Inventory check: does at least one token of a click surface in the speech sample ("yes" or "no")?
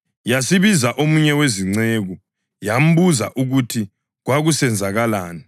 yes